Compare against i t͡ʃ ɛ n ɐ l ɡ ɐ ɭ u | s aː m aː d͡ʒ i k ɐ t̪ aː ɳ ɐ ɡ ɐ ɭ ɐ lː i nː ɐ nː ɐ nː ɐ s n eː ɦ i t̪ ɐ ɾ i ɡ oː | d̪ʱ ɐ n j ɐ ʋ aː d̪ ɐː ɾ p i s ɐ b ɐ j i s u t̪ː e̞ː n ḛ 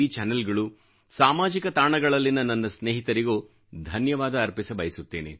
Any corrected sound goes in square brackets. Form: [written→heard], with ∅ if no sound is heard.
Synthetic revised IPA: i t͡ʃ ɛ n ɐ l ɡ ɐ ɭ u | s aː m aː d͡ʒ i k ɐ t̪ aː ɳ ɐ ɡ ɐ ɭ ɐ lː i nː ɐ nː ɐ nː ɐ s n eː ɦ i t̪ ɐ ɾ i ɡ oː | d̪ʱ ɐ n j ɐ ʋ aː d̪ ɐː ɾ p i s ɐ b ɐ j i s u t̪ː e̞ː n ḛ